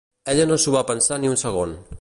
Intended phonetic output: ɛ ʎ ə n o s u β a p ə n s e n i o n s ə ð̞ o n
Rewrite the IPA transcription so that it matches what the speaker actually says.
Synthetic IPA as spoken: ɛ ʎ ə n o s u β a p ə n s a n i u n s ə ɣ̞ o n